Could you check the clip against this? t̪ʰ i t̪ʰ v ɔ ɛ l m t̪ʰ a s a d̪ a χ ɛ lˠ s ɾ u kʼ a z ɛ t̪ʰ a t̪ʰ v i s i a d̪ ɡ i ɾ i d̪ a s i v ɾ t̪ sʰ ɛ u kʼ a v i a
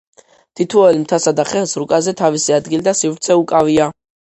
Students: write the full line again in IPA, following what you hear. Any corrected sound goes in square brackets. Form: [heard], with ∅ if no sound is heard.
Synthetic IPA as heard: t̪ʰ i t̪ʰ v ɔ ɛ l m t̪ʰ a s a d̪ a χ ɛ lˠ s ɾ u kʼ a z ɛ t̪ʰ a [∅] v i s i a d̪ ɡ i [l] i d̪ a s i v ɾ t̪ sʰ ɛ u kʼ a v i a